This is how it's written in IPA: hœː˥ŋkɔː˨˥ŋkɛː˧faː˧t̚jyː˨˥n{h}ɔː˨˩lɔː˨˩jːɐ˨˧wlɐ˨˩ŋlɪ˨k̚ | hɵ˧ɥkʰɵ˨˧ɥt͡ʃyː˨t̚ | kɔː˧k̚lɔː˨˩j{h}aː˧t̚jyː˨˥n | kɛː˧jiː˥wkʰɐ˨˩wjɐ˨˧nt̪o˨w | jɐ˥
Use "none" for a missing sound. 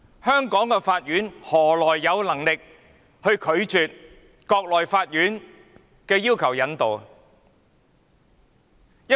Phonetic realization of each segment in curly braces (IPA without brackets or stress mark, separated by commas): h, f